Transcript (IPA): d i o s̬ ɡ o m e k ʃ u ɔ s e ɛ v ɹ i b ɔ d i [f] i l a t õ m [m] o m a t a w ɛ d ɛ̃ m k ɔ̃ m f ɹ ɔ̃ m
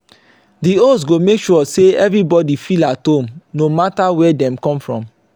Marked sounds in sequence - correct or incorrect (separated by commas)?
correct, incorrect